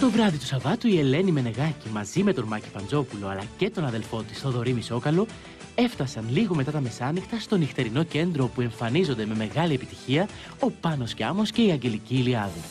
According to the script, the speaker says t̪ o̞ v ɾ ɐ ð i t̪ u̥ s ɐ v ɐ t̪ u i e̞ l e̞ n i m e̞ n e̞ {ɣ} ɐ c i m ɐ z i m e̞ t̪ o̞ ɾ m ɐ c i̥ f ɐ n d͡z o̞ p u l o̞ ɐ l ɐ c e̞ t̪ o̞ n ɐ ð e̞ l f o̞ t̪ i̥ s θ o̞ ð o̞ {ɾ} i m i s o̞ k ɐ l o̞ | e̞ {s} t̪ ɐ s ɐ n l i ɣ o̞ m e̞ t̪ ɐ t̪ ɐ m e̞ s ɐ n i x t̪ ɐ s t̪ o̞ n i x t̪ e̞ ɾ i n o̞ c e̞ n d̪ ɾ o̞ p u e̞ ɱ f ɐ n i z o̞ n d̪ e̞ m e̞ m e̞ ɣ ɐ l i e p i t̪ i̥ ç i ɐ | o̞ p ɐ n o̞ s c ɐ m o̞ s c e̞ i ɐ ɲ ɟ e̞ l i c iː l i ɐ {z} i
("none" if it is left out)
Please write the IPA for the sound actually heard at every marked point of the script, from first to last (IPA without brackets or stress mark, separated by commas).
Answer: ɣ, ɾ, f, ð